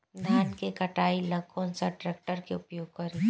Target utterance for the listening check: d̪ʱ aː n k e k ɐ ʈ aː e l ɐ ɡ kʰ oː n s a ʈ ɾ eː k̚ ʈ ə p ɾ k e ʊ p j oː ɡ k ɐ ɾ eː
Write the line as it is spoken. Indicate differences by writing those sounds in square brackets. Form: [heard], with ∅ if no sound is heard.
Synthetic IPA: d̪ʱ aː n k e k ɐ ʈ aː [i] l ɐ ɡ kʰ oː n s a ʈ ɾ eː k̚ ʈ ə [∅] ɾ k e ʊ p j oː ɡ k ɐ ɾ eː